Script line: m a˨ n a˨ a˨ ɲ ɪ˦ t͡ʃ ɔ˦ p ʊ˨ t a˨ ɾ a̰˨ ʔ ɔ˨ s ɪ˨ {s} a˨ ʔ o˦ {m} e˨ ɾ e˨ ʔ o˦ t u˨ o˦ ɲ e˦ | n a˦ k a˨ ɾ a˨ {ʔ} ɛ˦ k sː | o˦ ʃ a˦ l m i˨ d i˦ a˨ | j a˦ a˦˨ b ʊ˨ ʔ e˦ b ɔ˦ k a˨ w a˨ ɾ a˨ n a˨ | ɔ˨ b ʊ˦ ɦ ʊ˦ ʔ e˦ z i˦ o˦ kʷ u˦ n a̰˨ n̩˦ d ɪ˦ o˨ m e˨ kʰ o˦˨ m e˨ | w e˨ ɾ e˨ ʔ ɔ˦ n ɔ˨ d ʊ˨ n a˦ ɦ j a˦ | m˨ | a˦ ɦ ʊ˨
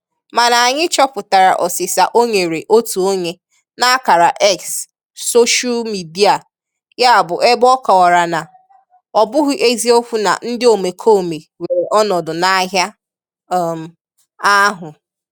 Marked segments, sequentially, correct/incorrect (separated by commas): correct, incorrect, correct